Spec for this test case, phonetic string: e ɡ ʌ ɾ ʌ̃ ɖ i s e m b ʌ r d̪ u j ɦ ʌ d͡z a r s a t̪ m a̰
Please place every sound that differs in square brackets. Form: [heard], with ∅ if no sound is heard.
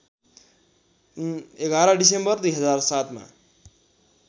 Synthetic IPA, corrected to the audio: e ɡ [a] ɾ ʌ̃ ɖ i s e m b ʌ r d̪ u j ɦ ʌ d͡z a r s a t̪ m a̰